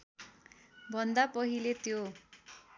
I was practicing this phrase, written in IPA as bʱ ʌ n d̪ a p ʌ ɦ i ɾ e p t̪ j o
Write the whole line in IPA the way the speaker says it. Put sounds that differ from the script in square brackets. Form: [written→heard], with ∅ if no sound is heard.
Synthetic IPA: bʱ ʌ n d̪ a p ʌ ɦ i [ɾ→l] e [p→∅] t̪ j o